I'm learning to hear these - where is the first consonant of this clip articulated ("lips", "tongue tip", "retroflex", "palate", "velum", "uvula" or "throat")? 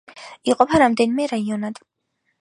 uvula